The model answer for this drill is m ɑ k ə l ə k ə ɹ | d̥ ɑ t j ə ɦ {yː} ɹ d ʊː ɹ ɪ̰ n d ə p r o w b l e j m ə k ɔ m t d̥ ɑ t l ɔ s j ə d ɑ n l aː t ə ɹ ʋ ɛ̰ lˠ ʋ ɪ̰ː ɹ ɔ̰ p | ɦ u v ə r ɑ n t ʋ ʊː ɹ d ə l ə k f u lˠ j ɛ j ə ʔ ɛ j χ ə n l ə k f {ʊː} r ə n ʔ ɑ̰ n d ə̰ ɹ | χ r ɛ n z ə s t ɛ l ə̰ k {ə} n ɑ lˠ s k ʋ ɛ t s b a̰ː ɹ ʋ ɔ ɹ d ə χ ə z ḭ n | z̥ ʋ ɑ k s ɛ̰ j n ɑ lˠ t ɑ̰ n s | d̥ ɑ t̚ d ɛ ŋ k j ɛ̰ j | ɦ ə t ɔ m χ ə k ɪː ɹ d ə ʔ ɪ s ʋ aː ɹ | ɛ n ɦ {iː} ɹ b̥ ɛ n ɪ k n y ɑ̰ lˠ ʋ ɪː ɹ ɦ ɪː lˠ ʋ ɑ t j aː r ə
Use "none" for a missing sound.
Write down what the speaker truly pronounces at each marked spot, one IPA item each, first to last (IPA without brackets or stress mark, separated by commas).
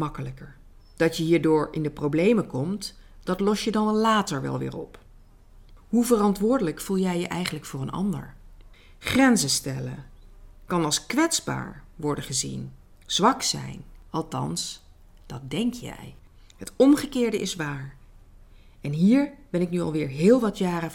iː, ʊː, ɑ, iː